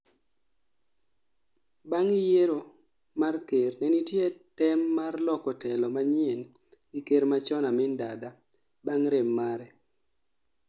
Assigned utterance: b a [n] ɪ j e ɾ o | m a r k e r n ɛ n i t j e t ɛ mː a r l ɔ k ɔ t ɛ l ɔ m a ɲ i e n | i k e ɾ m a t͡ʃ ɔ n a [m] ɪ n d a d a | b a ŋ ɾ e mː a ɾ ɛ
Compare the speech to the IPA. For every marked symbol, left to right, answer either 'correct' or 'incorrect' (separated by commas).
incorrect, correct